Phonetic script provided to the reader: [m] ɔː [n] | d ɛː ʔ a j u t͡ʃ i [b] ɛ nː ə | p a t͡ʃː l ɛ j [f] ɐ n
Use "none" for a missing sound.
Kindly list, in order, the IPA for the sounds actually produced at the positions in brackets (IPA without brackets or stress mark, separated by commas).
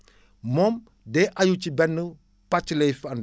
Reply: m, m, b, f